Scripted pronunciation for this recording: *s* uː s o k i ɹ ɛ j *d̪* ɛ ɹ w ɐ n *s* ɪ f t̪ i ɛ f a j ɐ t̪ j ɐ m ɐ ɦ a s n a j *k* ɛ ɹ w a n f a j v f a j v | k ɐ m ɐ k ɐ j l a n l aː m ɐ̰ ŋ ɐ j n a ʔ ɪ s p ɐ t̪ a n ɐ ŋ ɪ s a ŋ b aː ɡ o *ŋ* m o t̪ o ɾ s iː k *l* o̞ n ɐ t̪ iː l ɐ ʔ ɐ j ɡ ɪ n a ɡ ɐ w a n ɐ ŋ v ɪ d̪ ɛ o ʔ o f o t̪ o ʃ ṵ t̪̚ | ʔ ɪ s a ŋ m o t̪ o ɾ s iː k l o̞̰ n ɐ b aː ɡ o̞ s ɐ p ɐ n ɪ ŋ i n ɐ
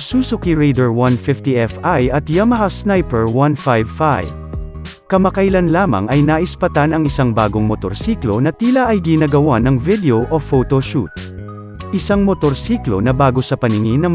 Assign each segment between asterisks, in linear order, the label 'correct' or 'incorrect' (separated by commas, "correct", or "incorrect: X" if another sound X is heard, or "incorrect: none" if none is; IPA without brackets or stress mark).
correct, correct, incorrect: f, incorrect: p, correct, correct